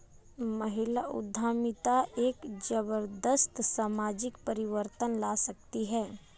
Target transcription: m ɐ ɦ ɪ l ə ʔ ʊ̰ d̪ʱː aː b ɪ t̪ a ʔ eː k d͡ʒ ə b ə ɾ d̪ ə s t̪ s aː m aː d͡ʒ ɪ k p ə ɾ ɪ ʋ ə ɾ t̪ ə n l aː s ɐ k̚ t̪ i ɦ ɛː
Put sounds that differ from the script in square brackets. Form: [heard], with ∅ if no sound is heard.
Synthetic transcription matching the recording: m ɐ ɦ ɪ l [a] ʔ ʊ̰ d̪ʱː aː [m] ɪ t̪ a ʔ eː k d͡ʒ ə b ə ɾ d̪ ə s t̪ s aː m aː d͡ʒ ɪ k p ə ɾ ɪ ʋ ə ɾ t̪ ə n l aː s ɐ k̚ t̪ i ɦ ɛː